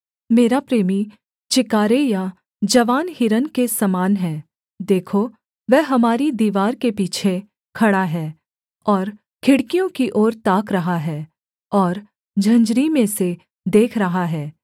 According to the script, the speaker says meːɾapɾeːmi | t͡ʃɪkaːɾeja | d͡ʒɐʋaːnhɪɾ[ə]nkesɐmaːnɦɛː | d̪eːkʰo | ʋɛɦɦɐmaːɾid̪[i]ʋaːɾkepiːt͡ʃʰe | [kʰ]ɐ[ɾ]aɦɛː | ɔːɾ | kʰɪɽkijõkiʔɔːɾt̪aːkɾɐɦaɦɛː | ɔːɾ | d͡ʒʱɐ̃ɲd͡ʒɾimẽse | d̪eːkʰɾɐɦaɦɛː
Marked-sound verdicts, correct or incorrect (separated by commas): correct, incorrect, correct, incorrect